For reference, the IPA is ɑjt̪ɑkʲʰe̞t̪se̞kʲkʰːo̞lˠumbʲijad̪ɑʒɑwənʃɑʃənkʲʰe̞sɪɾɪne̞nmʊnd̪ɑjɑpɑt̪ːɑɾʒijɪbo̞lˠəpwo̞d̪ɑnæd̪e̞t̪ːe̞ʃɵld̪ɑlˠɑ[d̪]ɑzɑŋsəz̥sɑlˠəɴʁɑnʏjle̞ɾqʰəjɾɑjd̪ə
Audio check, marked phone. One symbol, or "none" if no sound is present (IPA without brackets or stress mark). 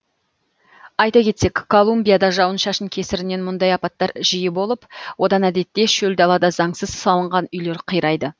d̪